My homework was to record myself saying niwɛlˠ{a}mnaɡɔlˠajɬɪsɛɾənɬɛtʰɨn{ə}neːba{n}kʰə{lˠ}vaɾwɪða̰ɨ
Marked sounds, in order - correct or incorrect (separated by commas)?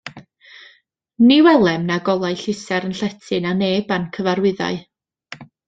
incorrect, incorrect, correct, incorrect